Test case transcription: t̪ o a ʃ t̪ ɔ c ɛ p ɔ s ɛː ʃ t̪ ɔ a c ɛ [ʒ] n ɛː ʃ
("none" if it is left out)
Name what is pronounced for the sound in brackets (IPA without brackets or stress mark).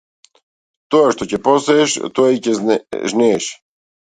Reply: ʒ